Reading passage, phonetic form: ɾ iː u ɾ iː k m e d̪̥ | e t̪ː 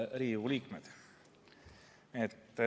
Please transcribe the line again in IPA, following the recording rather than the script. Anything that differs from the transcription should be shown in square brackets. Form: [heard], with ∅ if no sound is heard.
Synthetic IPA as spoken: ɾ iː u [l] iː k m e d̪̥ | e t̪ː